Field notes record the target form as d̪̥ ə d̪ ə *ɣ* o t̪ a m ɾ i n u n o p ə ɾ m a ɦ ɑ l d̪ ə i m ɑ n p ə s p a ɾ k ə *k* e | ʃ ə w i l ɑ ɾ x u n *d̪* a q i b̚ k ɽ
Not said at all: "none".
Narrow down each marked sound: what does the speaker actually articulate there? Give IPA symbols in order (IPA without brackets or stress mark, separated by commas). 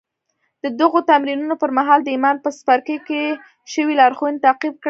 ɣ, k, t̪